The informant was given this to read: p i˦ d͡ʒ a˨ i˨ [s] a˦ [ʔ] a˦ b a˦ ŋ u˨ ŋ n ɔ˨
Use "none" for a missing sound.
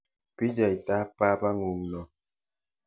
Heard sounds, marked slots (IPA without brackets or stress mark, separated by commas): t, p